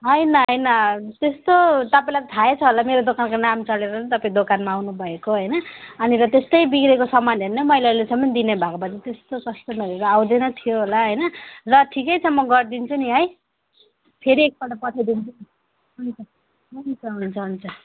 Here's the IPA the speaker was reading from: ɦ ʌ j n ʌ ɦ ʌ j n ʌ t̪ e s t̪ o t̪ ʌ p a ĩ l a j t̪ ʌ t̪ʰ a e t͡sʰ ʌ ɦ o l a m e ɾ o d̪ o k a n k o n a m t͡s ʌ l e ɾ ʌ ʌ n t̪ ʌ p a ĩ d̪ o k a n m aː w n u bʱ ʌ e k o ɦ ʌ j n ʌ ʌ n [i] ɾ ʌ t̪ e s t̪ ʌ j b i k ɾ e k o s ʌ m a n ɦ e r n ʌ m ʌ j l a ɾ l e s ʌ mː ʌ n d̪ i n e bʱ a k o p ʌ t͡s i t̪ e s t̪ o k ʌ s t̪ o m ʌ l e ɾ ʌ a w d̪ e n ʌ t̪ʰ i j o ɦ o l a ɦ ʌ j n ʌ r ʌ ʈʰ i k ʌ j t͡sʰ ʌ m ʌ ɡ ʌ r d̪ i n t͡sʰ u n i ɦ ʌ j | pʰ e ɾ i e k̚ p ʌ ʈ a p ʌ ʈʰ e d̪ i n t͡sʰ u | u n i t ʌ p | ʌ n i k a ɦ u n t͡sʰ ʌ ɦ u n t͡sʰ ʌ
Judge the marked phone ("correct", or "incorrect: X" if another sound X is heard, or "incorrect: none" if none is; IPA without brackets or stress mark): correct